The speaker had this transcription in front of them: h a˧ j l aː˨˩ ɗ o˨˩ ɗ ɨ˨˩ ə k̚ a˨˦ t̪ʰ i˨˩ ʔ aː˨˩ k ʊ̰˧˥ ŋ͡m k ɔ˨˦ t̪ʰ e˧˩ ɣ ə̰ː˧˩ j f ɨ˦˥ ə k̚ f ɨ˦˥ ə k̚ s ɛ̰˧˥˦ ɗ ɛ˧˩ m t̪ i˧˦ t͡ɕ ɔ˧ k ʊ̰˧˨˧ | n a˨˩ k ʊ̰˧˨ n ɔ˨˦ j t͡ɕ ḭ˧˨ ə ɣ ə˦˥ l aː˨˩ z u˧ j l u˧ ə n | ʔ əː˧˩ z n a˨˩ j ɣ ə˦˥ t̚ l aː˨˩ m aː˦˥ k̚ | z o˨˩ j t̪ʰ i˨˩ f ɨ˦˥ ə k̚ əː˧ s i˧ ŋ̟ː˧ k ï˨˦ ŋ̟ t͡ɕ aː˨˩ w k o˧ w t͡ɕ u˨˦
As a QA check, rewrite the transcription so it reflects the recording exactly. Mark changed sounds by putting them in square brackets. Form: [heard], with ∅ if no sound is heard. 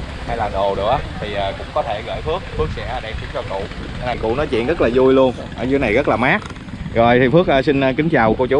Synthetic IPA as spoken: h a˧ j l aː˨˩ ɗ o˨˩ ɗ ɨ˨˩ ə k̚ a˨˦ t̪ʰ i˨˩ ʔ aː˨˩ k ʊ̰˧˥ ŋ͡m k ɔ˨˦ t̪ʰ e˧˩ ɣ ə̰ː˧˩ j f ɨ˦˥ ə k̚ f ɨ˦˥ ə k̚ s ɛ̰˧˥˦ ɗ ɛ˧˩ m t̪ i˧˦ t͡ɕ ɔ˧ k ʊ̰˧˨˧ | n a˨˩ k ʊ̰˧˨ n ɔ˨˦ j t͡ɕ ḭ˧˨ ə ɣ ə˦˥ l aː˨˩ z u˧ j l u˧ ə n | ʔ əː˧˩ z n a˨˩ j ɣ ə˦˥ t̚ l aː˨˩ m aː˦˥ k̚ | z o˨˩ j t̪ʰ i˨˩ f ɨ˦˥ ə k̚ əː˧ s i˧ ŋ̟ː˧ k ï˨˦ ŋ̟ t͡ɕ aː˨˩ w k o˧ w t͡ɕ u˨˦

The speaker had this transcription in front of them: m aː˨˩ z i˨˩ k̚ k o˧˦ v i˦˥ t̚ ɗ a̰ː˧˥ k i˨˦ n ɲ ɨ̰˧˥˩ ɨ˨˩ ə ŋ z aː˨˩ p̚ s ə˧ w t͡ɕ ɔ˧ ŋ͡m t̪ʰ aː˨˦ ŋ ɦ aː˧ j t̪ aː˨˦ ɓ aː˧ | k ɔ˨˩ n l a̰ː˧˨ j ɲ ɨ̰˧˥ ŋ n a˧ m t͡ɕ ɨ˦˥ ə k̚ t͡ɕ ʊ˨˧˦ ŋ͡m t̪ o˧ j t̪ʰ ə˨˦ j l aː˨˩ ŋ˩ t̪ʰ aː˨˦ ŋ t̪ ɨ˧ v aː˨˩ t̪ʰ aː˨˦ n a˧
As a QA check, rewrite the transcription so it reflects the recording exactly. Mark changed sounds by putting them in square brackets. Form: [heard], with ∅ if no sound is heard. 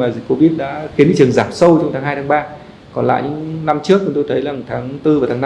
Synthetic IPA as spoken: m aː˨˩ z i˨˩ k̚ k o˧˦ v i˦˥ t̚ ɗ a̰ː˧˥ [x] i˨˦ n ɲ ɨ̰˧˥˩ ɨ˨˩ ə ŋ z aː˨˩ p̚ s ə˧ w t͡ɕ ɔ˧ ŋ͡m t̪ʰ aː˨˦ ŋ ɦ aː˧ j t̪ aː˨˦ ɓ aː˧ | k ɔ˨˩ n l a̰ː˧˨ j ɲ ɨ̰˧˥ ŋ n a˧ m t͡ɕ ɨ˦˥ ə k̚ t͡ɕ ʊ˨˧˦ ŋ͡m t̪ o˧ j t̪ʰ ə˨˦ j l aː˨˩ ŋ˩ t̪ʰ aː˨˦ ŋ t̪ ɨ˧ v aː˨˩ t̪ʰ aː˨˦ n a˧

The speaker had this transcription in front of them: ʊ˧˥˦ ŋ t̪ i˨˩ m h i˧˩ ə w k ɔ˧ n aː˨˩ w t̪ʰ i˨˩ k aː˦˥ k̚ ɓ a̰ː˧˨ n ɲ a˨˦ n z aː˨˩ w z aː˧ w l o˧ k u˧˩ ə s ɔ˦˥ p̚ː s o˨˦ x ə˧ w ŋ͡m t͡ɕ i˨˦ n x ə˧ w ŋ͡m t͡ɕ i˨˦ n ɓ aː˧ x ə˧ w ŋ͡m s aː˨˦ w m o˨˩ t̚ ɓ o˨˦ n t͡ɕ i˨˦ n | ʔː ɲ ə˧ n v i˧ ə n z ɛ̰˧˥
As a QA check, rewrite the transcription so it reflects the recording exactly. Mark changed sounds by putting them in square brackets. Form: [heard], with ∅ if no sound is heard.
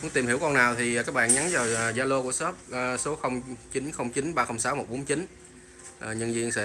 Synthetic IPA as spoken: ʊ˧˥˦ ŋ t̪ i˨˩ m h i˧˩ ə w k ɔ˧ n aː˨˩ w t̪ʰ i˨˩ k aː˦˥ k̚ ɓ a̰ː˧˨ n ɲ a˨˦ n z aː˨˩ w z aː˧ [∅] l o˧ k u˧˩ ə s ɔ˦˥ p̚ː s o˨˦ x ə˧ w ŋ͡m t͡ɕ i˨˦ n x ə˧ w ŋ͡m t͡ɕ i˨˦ n ɓ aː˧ x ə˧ w ŋ͡m s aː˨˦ w m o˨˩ t̚ ɓ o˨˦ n t͡ɕ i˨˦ n | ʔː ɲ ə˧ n [z] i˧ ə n [s] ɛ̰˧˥

